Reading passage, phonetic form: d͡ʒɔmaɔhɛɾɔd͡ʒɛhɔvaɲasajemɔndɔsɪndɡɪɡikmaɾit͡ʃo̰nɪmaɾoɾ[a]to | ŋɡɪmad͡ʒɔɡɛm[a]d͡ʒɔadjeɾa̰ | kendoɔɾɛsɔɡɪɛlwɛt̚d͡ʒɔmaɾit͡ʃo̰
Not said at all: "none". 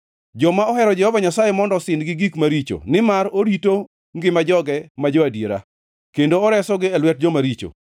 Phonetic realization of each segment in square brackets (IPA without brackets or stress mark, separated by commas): i, a